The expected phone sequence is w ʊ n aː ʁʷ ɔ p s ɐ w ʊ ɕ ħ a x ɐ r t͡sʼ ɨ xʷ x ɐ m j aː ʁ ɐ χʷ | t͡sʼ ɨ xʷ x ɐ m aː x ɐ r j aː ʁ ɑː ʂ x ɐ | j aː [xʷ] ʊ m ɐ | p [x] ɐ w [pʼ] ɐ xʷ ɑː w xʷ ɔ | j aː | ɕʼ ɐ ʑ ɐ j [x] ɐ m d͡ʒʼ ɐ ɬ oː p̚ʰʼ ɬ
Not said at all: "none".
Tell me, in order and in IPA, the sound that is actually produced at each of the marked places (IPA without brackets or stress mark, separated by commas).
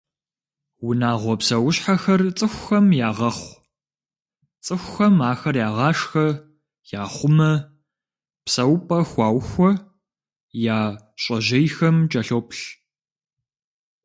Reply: χʷ, s, pʼ, x